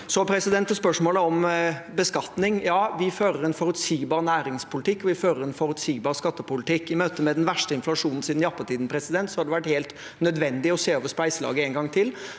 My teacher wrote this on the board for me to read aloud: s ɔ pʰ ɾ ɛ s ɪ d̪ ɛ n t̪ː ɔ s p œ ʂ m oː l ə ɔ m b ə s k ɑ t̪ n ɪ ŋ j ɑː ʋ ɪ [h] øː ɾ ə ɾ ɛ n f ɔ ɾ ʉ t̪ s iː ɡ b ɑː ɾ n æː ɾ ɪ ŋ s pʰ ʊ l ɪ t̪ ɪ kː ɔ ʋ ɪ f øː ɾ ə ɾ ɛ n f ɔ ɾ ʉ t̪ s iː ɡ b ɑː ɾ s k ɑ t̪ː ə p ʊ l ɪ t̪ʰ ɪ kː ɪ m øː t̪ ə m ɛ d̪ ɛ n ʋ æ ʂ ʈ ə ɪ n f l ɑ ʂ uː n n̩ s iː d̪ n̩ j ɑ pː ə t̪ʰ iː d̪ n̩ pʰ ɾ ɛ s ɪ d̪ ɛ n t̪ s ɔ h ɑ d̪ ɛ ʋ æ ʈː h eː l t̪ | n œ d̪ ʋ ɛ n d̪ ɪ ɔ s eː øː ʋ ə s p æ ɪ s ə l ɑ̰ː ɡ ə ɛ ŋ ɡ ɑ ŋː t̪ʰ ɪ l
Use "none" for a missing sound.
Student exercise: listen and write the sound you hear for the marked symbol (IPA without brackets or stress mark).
f